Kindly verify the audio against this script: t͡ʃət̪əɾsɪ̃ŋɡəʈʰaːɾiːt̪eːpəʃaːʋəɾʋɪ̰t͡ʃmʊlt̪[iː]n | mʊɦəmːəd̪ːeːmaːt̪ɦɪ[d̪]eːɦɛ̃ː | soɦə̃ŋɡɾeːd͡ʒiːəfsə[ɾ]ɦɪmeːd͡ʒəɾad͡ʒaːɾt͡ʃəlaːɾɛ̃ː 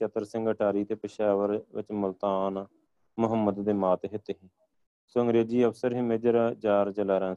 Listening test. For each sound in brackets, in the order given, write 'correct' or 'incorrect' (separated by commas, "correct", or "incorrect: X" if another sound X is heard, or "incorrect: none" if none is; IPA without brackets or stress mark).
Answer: incorrect: aː, incorrect: t̪, correct